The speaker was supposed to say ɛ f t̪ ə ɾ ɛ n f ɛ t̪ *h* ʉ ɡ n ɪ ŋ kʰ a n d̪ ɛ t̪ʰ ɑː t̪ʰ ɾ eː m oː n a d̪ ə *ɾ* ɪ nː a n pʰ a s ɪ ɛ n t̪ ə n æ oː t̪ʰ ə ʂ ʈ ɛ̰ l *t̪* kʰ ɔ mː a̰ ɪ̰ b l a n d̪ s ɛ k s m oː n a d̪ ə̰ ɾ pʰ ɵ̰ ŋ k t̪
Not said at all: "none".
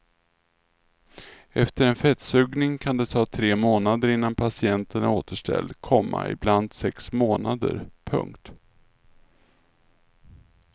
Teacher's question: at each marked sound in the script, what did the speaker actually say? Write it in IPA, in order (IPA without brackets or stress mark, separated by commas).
s, ɾ, d̪